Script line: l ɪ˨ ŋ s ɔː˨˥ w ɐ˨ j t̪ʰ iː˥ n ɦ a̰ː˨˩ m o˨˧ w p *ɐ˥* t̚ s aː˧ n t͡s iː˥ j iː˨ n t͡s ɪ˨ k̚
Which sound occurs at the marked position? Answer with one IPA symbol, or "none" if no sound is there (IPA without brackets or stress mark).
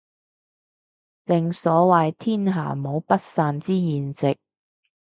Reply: ɐ˥